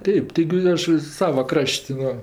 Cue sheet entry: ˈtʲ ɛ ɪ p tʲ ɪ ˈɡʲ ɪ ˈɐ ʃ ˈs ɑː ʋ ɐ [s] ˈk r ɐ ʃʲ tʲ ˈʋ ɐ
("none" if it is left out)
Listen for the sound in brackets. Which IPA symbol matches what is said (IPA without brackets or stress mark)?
none